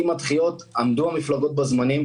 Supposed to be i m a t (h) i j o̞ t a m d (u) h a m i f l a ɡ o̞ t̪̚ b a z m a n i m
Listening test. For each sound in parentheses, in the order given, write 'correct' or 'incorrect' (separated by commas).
incorrect, correct